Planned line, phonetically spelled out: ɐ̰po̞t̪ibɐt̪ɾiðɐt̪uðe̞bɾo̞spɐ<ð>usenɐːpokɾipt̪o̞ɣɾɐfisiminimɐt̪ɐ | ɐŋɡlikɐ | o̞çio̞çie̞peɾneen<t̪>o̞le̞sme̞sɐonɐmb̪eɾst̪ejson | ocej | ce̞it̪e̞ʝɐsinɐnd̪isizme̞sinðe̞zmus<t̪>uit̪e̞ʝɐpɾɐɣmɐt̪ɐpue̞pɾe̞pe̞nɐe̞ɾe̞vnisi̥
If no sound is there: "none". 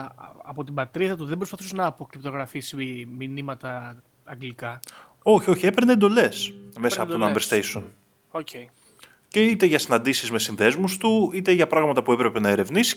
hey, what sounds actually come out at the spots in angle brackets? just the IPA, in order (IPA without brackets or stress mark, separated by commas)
θ, d̪, t̪